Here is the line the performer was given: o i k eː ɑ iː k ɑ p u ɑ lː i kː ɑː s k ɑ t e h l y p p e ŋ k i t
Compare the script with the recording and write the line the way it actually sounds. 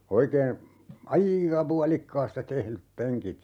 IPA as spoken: o i k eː ɑ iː k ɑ p u ɑ l i kː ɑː s t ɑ t e h l y p p e ŋ k i t